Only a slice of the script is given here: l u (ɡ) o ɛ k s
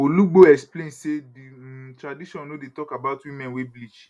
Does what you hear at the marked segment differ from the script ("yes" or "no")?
yes